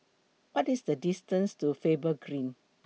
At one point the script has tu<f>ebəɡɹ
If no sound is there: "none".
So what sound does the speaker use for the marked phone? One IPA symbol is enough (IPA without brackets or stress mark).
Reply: f